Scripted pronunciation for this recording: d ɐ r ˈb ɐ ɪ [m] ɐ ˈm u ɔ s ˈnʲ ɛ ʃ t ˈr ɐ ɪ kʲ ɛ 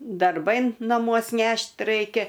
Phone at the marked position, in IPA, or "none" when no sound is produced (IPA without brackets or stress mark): n